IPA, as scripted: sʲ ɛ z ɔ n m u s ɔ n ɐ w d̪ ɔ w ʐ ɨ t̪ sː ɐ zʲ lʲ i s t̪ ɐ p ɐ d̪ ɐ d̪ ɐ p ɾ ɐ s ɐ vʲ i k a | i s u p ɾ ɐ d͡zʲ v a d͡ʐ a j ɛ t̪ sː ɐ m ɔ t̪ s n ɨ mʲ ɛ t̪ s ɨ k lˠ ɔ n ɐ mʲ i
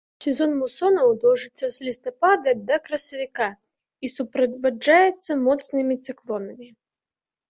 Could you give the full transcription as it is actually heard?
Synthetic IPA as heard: sʲ ɛ z ɔ n m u s ɔ n ɐ w d̪ ɔ w ʐ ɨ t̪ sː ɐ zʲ lʲ i s t̪ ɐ p a d̪ ɐ d̪ ɐ k ɾ ɐ s ɐ vʲ i k a | i s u p ɾ ɐ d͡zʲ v a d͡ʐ a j ɛ t̪ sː ɐ m ɔ t̪ s n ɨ mʲ i t̪ s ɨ k lˠ ɔ n ɐ mʲ i